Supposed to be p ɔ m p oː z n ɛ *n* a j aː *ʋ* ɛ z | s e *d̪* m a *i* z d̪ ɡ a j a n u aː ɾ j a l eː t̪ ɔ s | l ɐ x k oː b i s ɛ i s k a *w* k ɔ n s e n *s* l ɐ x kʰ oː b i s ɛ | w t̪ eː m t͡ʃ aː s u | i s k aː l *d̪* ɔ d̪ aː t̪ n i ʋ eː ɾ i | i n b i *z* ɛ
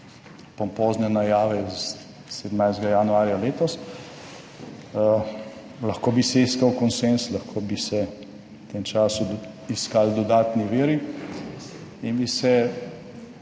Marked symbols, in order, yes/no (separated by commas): yes, yes, yes, no, yes, yes, yes, no